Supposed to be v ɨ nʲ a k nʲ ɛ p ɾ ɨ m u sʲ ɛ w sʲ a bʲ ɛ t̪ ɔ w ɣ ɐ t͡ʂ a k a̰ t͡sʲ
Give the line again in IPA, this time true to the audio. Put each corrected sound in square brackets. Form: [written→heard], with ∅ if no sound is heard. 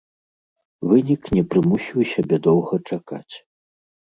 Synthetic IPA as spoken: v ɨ nʲ [a→i] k nʲ ɛ p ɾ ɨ m u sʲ [ɛ→i] w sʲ a bʲ ɛ [t̪→d̪] ɔ w ɣ ɐ t͡ʂ a k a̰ t͡sʲ